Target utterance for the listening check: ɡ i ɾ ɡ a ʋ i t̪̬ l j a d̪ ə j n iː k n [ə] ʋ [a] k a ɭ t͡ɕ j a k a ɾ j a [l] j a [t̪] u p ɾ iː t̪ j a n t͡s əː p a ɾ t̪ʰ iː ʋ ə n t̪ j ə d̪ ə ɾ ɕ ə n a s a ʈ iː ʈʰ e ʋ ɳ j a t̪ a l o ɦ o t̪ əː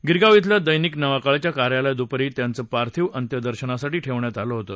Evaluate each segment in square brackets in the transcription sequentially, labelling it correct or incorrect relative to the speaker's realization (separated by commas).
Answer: correct, correct, correct, incorrect